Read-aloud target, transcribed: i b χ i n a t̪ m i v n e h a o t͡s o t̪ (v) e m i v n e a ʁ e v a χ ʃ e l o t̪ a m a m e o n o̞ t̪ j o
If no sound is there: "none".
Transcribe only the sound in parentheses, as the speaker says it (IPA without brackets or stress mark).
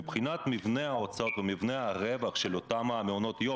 v